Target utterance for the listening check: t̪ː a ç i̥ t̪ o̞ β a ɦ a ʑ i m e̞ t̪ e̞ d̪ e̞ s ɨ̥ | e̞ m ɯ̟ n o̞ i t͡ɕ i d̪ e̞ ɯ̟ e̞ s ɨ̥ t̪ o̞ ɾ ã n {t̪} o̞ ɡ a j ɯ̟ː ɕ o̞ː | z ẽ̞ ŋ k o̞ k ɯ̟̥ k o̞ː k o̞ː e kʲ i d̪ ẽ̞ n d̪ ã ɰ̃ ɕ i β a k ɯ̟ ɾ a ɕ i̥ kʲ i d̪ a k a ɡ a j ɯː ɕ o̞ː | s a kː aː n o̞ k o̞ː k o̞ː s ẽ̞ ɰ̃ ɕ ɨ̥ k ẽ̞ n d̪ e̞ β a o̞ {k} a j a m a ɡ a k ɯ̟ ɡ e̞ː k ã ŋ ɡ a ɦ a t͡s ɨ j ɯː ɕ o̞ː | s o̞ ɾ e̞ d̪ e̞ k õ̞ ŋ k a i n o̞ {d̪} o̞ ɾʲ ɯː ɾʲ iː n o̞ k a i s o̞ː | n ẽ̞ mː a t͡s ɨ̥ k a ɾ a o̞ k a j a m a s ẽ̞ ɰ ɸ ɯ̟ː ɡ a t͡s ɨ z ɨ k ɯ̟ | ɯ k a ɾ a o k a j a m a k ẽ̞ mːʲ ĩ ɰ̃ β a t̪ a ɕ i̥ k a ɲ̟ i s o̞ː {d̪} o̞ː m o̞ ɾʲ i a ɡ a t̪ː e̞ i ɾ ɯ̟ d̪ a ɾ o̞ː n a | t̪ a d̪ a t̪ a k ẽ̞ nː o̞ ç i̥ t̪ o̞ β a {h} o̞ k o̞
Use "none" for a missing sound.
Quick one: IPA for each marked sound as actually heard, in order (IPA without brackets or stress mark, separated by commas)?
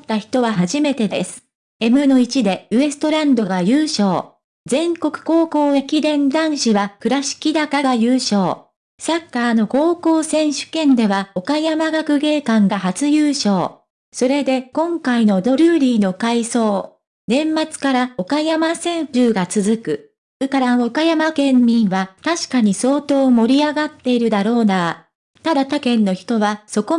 d̪, k, d̪, t̪, s